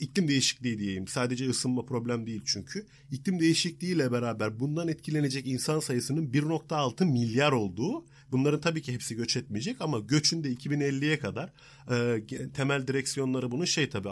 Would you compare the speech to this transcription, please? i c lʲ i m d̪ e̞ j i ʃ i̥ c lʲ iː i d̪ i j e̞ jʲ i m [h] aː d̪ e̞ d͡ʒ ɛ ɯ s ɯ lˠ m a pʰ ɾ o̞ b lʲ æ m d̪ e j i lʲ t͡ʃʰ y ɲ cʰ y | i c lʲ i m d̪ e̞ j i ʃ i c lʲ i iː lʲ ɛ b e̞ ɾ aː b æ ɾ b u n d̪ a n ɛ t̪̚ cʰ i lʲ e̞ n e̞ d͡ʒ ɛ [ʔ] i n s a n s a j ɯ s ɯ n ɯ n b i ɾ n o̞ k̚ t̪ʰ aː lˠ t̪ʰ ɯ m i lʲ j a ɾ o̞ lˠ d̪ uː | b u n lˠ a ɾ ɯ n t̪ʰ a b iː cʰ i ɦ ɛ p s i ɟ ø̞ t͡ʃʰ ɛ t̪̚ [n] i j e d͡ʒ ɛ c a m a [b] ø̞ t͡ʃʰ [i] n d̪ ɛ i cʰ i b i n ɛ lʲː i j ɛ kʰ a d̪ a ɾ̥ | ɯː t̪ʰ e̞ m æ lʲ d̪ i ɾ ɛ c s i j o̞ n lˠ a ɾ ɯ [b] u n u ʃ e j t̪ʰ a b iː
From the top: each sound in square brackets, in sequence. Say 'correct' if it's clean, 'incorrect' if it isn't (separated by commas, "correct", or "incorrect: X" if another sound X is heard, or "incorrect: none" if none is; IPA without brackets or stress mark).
incorrect: s, incorrect: c, incorrect: m, incorrect: ɟ, incorrect: y, correct